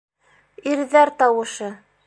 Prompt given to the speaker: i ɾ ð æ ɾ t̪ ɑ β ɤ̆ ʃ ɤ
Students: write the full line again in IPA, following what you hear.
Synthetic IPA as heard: i ɾ ð æ ɾ t̪ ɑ w ɤ̆ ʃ ɤ